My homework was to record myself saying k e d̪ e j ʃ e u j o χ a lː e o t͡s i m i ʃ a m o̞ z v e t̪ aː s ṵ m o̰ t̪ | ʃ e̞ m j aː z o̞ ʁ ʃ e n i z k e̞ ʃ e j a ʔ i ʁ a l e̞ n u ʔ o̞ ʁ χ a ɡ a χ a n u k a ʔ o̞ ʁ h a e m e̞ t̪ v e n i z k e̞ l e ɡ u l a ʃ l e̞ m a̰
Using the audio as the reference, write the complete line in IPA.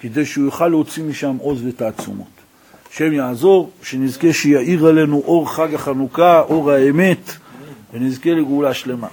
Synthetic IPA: k e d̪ e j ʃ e u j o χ a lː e o t͡s i m i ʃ a m o̞ z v e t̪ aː t͡s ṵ m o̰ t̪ | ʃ e̞ m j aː z o̞ ʁ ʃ e n i z k e̞ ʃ e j a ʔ i ʁ a l e̞ n u ʔ o̞ ʁ χ a ɡ a χ a n u k a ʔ o̞ ʁ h a e m e̞ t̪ v e n i z k e̞ l e ɡ u l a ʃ l e̞ m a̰